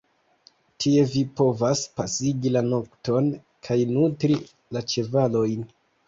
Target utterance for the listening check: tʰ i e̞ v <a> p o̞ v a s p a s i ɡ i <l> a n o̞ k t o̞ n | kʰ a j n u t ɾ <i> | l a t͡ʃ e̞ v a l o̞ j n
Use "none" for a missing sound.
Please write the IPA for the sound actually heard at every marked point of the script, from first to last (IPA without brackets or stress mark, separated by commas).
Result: i, l, i